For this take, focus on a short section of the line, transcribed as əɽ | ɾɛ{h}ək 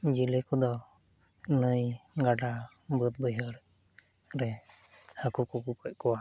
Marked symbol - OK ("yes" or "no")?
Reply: yes